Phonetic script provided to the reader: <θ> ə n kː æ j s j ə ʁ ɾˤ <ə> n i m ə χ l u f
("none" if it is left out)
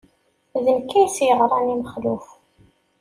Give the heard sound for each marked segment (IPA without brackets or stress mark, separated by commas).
ð, ɑ